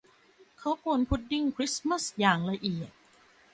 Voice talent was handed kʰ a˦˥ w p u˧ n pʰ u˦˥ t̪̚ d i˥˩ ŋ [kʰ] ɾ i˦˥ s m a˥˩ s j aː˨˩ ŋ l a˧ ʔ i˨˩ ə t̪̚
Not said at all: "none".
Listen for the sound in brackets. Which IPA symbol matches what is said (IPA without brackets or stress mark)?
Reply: kʰ